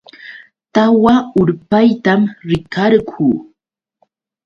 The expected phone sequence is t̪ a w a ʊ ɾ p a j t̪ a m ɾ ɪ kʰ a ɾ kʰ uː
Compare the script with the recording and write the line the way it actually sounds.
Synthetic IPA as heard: t̪ a w a ʊ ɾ p a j t̪ a m ɾ ɪ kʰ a ɾ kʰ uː